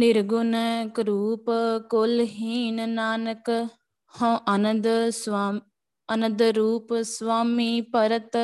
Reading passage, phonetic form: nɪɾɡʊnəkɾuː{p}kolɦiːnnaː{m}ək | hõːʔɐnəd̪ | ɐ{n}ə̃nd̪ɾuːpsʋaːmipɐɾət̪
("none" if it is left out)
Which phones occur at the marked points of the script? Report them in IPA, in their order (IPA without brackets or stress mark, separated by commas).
p, n, n